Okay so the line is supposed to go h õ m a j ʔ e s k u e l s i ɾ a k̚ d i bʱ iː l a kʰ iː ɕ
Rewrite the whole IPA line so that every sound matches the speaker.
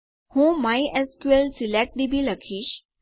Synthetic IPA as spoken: h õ m a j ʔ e s k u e l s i l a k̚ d i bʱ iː l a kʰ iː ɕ